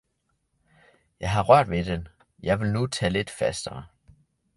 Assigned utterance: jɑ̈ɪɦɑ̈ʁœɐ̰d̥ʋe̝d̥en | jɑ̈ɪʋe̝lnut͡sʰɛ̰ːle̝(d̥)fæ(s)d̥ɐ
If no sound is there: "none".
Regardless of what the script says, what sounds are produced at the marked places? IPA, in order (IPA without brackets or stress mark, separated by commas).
d̥, s